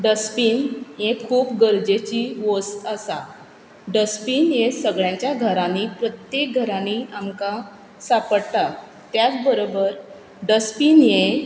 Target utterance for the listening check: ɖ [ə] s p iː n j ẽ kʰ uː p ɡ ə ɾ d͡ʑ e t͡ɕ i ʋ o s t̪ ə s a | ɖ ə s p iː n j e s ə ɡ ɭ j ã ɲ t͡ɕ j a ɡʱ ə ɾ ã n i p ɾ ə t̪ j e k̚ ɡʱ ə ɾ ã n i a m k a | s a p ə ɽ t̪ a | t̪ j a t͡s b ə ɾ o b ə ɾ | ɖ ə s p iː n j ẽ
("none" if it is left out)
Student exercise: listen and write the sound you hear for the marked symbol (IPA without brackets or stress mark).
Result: ə